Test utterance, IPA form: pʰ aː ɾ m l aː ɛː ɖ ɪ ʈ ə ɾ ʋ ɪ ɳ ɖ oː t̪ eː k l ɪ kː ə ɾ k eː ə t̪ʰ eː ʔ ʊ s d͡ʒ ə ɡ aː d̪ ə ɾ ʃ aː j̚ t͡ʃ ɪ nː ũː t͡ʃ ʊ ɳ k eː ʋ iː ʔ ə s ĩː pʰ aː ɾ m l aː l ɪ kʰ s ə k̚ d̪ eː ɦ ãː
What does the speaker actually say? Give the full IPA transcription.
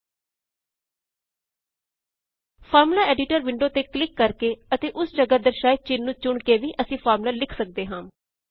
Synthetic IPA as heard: pʰ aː ɾ m l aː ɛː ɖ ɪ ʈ ə ɾ ʋ ɪ ɳ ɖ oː t̪ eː k l ɪ kː ə ɾ k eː ə t̪ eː ʔ ʊ s d͡ʒ ə ɡ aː d̪ ə ɾ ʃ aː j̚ t͡ʃ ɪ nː ũː t͡ʃ ʊ ɳ k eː ʋ iː ʔ ə s ĩː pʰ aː ɾ m l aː l ɪ kʰ s ə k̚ d̪ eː ɦ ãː